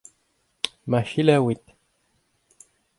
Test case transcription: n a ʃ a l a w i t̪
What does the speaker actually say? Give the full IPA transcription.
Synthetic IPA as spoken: m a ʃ i l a w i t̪